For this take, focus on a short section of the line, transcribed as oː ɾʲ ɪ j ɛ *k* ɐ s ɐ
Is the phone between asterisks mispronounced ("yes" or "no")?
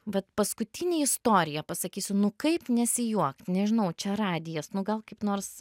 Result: yes